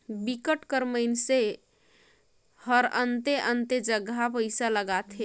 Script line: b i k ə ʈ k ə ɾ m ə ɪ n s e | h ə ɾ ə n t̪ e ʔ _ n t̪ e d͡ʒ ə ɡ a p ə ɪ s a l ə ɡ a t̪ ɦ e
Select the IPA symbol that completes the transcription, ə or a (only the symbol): ə